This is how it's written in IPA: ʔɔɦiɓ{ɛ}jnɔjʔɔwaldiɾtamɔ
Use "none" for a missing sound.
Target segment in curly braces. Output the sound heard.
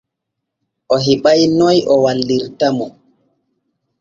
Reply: a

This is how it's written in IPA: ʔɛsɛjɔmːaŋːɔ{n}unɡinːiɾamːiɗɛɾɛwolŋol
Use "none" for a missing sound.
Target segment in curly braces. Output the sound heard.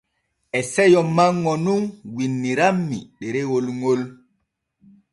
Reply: n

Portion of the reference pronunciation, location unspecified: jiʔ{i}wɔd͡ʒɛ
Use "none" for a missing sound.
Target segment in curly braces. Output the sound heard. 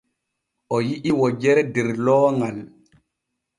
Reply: i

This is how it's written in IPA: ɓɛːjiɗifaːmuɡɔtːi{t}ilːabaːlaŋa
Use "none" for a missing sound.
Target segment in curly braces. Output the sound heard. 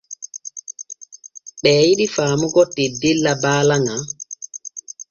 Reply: d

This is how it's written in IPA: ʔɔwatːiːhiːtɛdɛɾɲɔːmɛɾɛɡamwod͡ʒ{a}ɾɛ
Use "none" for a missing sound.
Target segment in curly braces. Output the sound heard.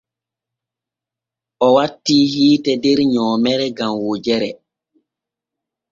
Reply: ɛ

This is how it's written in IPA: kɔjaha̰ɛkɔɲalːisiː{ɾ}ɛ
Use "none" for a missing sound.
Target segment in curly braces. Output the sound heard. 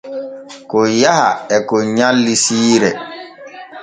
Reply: ɾ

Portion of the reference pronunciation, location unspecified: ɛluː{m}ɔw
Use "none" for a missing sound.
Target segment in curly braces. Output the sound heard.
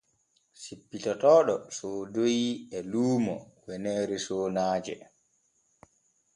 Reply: m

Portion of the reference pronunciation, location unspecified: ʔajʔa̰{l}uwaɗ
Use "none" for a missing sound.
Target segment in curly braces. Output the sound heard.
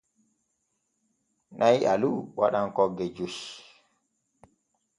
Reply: l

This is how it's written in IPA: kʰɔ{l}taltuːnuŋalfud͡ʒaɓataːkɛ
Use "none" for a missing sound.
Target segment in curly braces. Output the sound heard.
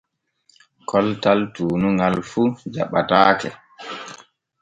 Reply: l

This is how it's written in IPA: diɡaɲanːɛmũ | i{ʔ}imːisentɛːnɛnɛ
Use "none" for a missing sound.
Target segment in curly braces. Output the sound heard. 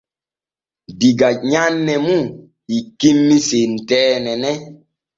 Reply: k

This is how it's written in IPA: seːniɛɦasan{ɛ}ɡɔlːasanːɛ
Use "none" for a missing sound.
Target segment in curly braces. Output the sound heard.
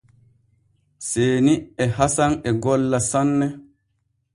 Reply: ɛ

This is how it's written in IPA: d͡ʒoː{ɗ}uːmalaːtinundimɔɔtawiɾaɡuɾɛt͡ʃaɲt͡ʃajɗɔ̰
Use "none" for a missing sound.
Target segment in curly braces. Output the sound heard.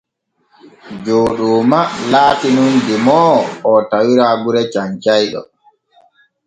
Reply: ɗ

